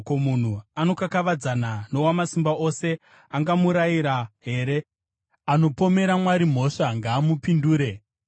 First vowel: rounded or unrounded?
rounded